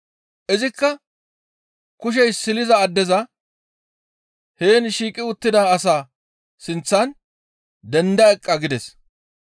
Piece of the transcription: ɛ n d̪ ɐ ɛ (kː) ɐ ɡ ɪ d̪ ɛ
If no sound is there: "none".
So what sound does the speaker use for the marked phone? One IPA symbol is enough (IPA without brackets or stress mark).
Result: kʼː